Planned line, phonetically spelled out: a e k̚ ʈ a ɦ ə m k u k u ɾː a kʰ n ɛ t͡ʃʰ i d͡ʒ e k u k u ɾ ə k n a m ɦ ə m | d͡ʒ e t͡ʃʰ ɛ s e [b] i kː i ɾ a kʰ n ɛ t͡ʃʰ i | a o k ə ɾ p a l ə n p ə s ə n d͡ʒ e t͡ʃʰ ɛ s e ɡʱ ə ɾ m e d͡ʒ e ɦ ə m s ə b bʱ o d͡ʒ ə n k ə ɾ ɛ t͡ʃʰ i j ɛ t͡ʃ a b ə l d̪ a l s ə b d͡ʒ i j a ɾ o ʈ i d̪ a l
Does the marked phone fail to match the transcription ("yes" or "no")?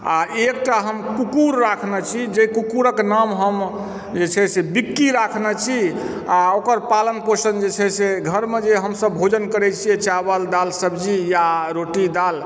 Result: no